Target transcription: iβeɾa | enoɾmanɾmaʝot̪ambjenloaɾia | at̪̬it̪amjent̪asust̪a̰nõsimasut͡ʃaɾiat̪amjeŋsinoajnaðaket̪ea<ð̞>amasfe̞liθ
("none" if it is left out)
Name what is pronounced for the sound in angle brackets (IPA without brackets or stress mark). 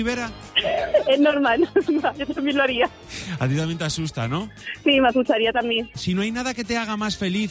ɣ̞